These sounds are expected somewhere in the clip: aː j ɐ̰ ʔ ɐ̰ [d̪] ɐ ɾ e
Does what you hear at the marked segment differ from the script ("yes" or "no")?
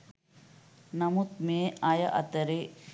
yes